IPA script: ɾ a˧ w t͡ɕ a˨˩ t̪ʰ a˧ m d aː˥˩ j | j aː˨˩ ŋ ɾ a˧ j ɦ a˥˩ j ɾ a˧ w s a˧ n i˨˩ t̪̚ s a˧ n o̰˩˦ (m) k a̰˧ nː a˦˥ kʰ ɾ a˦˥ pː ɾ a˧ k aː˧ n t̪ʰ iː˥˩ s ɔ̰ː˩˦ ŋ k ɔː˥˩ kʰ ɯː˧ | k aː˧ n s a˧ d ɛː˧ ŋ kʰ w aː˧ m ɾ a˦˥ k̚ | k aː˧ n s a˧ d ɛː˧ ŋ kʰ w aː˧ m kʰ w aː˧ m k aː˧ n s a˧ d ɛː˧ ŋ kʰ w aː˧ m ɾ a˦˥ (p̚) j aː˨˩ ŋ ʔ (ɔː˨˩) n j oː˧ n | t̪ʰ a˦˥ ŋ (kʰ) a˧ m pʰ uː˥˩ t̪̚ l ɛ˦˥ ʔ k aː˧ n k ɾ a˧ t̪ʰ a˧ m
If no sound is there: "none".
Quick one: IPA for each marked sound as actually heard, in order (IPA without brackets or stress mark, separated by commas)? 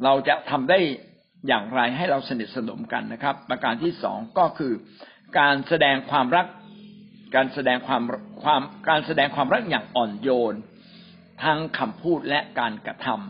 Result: m, k̚, ɔː˨˩, kʰ